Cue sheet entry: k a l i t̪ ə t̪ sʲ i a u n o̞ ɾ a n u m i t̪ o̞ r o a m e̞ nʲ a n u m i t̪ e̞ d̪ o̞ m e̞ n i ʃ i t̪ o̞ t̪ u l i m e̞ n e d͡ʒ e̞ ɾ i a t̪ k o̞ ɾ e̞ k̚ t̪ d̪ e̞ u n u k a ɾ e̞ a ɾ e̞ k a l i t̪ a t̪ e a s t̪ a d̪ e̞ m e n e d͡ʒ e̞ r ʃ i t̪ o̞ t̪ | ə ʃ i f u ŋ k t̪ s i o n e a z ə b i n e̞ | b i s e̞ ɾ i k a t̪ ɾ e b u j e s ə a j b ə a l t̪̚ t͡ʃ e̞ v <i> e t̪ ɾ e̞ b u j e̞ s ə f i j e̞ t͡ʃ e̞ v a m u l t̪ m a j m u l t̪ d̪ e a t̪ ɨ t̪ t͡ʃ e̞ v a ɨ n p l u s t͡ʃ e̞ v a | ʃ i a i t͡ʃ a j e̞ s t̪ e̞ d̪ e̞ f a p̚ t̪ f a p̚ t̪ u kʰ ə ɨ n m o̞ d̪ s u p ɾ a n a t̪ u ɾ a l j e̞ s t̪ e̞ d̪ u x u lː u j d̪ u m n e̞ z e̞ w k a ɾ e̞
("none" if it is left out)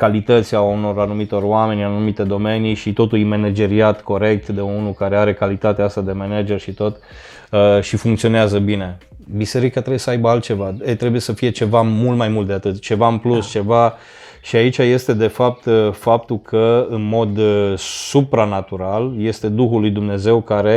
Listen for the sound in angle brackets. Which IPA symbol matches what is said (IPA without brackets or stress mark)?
a